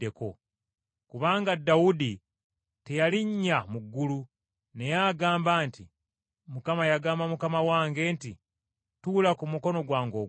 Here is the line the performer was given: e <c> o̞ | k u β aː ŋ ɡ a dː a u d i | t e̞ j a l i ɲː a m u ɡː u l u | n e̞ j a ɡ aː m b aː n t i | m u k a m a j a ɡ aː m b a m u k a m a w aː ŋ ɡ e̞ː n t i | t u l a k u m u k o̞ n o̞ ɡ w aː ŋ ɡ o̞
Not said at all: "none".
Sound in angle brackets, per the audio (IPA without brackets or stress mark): k